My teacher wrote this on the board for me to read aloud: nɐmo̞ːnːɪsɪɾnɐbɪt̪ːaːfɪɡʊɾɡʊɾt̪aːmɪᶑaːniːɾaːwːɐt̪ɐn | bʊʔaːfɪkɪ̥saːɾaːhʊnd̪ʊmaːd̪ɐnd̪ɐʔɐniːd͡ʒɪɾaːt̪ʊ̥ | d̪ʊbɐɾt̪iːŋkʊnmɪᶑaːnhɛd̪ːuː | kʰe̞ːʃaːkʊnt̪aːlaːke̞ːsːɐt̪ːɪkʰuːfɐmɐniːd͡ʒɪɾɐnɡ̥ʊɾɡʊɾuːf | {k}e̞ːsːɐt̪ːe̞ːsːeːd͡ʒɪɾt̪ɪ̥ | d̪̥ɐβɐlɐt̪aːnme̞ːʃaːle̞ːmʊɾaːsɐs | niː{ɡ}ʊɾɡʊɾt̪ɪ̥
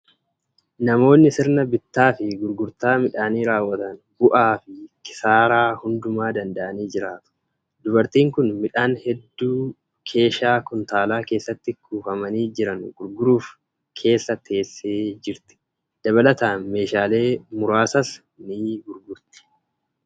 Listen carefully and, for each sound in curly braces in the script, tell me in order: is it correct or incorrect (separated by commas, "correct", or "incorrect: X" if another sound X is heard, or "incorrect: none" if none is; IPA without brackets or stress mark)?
incorrect: kʰ, correct